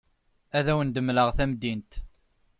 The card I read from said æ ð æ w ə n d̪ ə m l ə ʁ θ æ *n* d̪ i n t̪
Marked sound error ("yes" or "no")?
yes